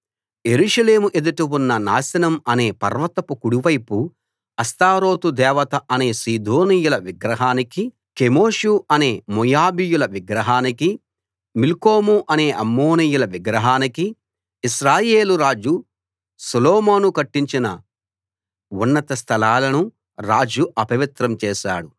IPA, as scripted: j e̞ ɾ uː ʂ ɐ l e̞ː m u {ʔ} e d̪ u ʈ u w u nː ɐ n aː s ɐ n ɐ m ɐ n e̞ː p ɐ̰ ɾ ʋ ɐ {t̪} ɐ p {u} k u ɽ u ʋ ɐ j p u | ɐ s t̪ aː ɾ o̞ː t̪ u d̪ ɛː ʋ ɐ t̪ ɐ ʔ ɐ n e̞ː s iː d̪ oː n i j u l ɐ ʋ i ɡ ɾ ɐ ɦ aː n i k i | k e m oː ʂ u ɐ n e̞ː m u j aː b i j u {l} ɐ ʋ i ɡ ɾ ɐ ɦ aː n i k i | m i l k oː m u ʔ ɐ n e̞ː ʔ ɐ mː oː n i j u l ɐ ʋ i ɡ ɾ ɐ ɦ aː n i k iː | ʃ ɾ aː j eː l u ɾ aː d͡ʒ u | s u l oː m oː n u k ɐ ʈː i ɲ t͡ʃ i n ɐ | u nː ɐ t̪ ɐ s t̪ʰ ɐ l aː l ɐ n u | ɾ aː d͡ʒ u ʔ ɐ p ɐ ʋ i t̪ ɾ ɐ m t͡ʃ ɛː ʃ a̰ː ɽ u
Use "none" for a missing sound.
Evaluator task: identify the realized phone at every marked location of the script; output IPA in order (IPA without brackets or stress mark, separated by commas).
ʔ, t̪, u, l